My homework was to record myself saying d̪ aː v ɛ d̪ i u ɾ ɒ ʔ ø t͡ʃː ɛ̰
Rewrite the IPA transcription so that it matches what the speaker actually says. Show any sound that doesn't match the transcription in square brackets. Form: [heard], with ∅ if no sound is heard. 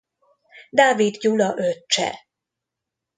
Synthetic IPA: d̪ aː v [i] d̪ [j] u [l] ɒ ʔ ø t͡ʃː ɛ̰